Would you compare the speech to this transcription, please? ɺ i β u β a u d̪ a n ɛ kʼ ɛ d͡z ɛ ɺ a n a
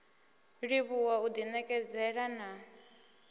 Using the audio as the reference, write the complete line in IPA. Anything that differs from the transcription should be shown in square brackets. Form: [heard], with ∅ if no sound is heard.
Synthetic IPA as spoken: ɺ i β u [w] a u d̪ [i] n ɛ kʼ ɛ d͡z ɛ ɺ a n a